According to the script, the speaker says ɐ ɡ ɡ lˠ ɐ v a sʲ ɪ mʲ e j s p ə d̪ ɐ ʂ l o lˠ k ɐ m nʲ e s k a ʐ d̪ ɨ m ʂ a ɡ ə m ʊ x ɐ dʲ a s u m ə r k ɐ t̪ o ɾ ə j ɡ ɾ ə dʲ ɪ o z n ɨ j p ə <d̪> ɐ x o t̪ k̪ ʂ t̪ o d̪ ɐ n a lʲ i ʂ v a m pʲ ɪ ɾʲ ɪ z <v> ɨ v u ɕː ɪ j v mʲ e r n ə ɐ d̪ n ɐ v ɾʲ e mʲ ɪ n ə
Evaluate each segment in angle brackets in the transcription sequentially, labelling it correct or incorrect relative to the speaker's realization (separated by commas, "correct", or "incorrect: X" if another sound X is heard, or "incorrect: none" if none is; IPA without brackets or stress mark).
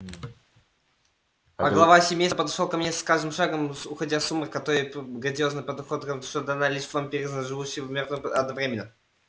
correct, incorrect: ʐ